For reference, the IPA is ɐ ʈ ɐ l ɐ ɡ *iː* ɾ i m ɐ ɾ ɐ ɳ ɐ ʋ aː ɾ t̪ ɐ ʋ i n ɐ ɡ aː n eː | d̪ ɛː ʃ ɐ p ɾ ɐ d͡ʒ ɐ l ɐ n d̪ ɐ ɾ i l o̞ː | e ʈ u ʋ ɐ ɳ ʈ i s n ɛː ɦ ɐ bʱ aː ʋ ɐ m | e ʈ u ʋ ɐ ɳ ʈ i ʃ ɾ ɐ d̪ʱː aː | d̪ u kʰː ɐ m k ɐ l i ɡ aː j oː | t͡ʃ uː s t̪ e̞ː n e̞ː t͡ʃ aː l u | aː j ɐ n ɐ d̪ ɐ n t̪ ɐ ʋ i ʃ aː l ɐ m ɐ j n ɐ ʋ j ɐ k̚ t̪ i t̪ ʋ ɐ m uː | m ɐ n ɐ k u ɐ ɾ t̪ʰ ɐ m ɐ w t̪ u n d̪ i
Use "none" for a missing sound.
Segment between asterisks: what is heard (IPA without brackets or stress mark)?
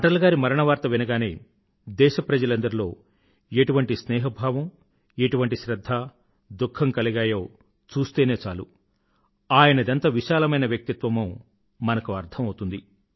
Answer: aː